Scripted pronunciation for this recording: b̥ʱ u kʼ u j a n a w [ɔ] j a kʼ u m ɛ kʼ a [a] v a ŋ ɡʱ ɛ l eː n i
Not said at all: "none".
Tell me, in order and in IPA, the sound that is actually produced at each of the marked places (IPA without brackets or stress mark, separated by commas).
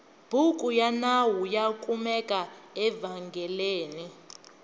u, ɛ